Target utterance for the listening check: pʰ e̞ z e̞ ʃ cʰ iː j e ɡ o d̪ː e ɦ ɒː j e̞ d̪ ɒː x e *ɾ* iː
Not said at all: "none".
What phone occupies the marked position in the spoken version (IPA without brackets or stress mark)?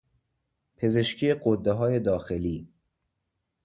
l